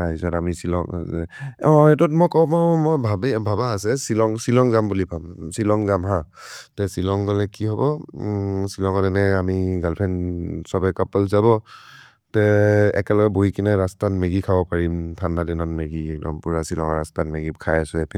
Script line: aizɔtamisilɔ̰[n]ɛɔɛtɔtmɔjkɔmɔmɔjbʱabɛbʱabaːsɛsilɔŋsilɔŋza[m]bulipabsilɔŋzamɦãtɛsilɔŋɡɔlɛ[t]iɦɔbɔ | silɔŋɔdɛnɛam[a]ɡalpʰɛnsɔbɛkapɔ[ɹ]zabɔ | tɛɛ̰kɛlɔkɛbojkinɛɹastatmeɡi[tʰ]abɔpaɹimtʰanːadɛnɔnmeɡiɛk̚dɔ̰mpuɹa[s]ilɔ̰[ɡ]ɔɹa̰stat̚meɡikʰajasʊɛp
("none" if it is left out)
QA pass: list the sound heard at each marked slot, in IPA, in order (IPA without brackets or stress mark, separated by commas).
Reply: ŋ, m, k, i, l, kʰ, s, ŋ